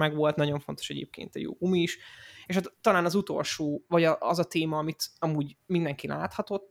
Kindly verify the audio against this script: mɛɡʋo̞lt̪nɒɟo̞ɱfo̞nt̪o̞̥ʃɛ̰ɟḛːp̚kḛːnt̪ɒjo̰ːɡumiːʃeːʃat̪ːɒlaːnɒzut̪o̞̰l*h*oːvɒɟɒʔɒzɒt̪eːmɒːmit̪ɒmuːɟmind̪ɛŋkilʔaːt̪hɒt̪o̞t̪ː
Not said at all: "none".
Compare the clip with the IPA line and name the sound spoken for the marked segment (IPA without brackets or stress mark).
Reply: ʃ